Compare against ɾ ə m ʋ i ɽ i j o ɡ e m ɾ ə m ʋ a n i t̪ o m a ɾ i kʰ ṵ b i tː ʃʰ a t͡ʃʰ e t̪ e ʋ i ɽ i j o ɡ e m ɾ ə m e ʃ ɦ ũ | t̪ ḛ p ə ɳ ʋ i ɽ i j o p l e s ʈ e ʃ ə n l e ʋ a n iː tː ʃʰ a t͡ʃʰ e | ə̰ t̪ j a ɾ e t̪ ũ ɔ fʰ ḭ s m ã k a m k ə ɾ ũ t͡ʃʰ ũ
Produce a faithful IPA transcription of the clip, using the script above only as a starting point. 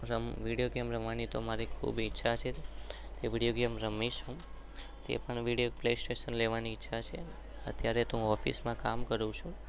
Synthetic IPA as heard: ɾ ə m ʋ i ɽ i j o ɡ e m ɾ ə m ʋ a n i t̪ o m a ɾ i kʰ ṵ b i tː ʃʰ a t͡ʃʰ e t̪ e ʋ i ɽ i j o ɡ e m ɾ ə m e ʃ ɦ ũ | t̪ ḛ p ə ɳ ʋ i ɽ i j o p l e s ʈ e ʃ ə n l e ʋ a n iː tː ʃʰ a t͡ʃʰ e | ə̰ t̪ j a ɾ e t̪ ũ ɔ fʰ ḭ s m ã k a m k ə ɾ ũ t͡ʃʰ ũ